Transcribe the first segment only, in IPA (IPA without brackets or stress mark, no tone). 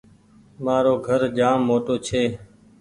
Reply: m